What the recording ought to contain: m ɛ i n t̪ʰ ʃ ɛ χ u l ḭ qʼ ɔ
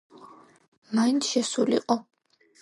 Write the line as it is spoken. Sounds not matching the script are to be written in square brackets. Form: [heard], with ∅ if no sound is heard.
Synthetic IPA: m [a] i n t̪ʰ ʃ ɛ [s] u l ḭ qʼ ɔ